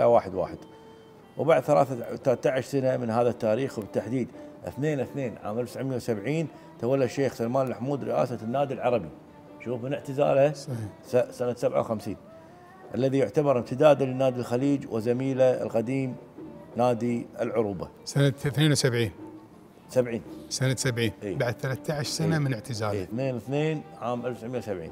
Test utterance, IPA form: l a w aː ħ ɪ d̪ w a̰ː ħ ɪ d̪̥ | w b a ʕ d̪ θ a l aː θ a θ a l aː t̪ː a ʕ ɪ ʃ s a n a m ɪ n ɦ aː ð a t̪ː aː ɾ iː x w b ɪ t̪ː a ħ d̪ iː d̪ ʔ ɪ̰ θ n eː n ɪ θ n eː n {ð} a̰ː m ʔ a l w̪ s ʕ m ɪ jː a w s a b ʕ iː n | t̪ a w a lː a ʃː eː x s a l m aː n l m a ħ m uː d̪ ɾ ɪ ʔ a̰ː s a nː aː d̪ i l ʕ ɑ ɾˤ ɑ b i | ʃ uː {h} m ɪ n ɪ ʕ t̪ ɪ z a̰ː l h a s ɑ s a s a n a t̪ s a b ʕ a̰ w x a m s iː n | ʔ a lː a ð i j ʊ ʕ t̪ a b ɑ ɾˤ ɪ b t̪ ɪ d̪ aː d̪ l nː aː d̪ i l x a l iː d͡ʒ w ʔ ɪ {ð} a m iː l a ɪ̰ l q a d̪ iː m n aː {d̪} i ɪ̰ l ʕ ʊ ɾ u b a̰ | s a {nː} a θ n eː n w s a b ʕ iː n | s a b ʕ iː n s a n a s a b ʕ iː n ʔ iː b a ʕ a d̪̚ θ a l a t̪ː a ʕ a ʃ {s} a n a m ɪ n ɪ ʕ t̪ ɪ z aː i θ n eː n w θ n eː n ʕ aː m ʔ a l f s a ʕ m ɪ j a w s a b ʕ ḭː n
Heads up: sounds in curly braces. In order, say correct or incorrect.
incorrect: ʕ, incorrect: f, incorrect: z, correct, incorrect: n, correct

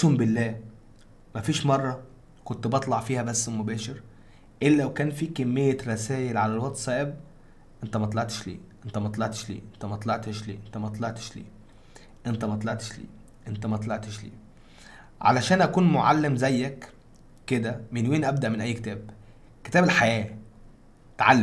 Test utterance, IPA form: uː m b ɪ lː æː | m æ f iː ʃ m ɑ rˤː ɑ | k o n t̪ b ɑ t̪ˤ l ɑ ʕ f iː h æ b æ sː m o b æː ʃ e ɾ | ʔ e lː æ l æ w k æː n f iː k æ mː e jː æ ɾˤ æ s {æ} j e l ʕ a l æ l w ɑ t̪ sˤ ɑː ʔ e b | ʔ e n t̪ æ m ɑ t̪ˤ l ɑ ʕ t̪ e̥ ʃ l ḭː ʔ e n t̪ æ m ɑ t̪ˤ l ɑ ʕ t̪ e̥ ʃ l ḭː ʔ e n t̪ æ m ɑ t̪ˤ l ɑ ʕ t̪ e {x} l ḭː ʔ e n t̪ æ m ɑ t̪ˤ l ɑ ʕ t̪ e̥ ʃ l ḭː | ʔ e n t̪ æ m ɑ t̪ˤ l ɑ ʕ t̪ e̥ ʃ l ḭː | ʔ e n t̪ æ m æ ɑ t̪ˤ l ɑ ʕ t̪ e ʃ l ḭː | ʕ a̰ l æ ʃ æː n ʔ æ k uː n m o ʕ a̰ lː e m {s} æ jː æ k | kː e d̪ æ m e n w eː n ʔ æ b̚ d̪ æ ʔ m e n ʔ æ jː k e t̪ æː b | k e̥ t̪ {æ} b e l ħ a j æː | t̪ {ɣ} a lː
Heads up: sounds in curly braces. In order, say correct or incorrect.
incorrect: æː, incorrect: ʃ, incorrect: z, incorrect: æː, incorrect: ʕ

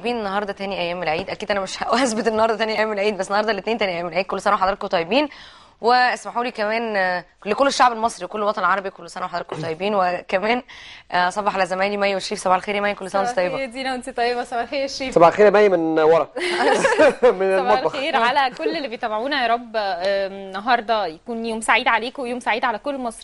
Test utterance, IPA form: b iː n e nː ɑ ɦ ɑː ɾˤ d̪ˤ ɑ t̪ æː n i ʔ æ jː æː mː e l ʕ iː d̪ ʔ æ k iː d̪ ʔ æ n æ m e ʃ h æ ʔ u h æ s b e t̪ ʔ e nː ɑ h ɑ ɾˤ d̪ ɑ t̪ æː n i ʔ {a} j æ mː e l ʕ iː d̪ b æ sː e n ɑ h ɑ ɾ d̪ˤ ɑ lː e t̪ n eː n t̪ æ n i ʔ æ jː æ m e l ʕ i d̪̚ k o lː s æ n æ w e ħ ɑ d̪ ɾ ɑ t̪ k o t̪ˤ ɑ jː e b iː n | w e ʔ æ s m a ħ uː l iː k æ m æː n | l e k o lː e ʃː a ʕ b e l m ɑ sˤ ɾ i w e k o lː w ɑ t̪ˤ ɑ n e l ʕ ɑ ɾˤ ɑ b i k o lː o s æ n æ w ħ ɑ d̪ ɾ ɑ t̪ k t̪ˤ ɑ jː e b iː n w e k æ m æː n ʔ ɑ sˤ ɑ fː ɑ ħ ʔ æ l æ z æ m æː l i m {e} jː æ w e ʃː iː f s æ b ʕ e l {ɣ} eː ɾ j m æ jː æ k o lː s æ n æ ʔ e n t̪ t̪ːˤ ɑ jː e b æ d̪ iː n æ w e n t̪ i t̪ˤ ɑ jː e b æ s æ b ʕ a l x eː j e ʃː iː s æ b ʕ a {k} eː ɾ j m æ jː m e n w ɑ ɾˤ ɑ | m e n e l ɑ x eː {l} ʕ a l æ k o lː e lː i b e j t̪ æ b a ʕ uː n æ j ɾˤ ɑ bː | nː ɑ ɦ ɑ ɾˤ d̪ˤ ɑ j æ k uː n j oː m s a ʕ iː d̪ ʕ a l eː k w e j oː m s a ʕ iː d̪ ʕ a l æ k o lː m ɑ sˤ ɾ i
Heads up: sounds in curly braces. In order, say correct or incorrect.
incorrect: æ, incorrect: æ, incorrect: x, incorrect: x, incorrect: ɾ

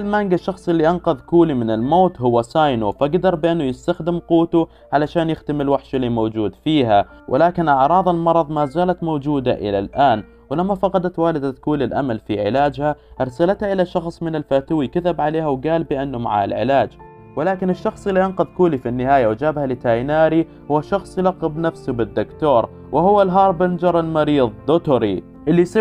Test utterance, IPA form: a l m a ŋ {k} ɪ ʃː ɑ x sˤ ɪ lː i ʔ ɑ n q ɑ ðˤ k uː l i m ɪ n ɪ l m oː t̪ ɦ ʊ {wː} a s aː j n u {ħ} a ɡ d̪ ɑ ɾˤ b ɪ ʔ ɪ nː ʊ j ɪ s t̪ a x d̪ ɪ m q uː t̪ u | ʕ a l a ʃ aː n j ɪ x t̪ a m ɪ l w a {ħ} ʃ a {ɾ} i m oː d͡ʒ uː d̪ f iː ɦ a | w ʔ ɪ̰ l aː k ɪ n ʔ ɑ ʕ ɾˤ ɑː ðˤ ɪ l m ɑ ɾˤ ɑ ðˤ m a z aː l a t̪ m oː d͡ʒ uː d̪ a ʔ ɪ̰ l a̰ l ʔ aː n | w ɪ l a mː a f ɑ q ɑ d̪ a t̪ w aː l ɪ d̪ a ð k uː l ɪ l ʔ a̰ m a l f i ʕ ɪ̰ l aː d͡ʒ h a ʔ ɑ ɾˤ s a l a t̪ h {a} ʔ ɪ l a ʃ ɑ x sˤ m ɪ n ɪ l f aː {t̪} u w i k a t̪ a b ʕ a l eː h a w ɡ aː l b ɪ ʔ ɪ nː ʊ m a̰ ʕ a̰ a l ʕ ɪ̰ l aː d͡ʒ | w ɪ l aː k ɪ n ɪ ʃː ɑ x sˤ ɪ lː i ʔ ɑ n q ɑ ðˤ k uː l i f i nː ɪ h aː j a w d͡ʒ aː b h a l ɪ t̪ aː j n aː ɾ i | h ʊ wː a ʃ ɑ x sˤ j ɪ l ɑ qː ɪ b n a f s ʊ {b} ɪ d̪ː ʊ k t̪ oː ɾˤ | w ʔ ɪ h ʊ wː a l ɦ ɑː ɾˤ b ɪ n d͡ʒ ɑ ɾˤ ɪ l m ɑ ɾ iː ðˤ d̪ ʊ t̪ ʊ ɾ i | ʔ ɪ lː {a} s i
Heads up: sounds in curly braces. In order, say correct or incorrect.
incorrect: ɡ, correct, incorrect: f, correct, incorrect: l, correct, correct, correct, incorrect: i

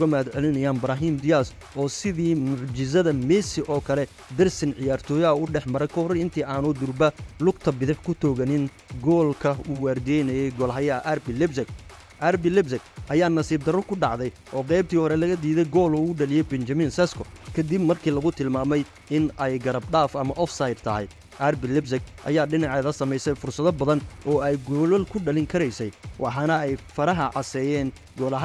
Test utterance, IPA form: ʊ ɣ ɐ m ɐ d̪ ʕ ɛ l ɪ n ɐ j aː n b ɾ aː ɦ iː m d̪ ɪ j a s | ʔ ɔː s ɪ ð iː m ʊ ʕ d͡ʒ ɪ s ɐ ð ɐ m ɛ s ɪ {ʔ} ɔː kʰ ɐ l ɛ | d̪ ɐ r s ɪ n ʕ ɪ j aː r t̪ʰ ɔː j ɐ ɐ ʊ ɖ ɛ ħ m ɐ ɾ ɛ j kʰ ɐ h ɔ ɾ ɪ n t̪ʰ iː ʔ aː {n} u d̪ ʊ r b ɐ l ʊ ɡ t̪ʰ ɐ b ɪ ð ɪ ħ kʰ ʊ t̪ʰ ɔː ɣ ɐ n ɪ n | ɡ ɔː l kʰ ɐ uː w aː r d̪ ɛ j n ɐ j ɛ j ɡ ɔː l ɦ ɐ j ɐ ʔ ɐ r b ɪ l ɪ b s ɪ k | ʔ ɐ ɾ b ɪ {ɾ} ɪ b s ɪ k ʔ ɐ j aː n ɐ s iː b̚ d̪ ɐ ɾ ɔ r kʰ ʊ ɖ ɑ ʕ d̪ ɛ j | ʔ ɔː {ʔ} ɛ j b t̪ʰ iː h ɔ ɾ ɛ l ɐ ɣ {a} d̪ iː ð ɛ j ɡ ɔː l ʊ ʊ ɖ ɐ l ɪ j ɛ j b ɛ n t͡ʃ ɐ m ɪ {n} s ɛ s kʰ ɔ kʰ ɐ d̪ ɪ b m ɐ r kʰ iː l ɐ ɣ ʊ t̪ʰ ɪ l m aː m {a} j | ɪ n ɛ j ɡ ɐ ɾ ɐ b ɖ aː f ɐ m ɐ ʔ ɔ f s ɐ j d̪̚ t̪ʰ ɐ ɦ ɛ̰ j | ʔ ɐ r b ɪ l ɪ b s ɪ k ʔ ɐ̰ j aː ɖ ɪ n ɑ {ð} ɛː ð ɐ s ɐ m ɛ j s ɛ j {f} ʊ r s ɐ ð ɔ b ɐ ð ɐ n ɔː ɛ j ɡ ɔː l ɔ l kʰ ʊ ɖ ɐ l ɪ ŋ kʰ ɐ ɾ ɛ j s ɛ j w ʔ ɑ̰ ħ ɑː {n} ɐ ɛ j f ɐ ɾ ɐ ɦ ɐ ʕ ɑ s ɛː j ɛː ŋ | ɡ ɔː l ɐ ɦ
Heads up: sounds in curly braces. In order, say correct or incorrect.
correct, correct, incorrect: l, incorrect: q, incorrect: ɐ, correct, incorrect: ɛ, incorrect: ʕ, correct, correct

